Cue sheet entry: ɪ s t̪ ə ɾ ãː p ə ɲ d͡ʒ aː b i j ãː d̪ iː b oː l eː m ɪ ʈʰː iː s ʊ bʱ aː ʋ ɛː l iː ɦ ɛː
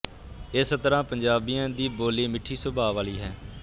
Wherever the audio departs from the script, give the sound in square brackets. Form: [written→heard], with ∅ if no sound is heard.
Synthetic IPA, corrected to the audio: ɪ s t̪ ə ɾ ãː p ə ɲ d͡ʒ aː b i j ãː d̪ iː b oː l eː m ɪ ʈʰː iː s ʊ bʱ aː ʋ [ɛː→aː] l iː ɦ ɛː